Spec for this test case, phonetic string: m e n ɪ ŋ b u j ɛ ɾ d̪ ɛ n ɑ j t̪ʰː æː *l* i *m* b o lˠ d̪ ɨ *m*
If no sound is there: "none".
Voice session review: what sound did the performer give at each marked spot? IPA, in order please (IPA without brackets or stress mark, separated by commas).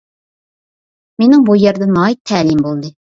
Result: l, m, none